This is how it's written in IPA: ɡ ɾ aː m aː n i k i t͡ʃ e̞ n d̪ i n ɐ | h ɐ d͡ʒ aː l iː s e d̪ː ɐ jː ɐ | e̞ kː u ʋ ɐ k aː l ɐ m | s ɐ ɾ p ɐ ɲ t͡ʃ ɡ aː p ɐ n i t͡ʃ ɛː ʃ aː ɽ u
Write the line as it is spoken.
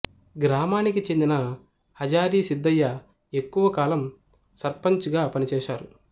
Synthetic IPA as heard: ɡ ɾ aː m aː n i k i t͡ʃ e̞ n d̪ i n ɐ | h ɐ d͡ʒ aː ɾ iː s i d̪ː ɐ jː ɐ | e̞ kː u ʋ ɐ k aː l ɐ m | s ɐ ɾ p ɐ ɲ t͡ʃ ɡ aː p ɐ n i t͡ʃ ɛː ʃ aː ɾ u